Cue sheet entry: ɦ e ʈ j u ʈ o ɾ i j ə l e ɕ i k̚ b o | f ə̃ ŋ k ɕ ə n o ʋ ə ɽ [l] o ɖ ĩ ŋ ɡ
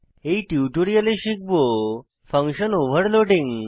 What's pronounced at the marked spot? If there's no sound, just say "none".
l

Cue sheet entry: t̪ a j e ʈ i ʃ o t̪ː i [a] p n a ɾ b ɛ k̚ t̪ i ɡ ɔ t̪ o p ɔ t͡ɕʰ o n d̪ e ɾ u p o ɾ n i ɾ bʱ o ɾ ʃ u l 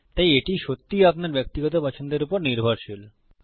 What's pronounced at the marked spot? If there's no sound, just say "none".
a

